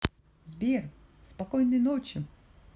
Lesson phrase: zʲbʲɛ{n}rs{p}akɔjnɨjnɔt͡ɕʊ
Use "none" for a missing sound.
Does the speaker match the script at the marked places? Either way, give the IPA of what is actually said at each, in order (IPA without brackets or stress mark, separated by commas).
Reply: none, p